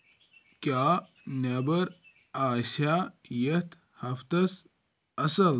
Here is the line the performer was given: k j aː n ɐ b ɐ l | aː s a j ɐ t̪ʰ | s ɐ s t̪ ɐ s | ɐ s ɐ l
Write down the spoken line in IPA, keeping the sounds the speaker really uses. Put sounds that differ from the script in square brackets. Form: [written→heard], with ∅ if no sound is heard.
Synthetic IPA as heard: k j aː n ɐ b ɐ [l→ɾ] | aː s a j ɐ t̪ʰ | [s→h] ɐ [s→f] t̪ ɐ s | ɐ s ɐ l